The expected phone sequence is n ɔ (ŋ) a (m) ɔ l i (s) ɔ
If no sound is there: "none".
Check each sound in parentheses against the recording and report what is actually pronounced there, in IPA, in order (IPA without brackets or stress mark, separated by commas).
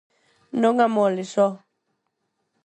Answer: ŋ, m, s